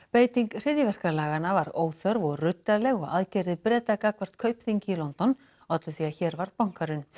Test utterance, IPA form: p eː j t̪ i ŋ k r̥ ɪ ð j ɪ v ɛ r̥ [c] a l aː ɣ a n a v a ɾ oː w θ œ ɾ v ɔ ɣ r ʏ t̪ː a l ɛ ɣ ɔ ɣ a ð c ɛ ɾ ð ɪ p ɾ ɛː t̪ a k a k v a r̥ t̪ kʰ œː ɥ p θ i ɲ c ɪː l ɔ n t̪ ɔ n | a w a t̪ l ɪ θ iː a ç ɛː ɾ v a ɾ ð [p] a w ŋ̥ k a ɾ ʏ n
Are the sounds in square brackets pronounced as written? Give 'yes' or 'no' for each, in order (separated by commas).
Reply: no, yes